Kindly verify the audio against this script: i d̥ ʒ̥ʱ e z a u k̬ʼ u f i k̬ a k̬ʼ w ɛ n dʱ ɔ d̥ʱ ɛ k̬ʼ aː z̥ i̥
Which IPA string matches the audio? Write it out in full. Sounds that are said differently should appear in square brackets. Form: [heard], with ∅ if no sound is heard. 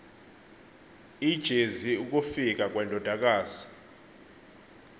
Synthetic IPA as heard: i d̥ ʒ̥ʱ e z [i] u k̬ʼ u f i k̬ a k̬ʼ w ɛ n dʱ ɔ d̥ʱ [a] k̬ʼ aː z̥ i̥